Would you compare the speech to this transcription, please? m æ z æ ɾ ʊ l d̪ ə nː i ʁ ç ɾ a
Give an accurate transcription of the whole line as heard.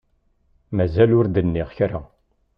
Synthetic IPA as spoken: m æ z æ l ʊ ɾ d̪ ə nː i ʁ ç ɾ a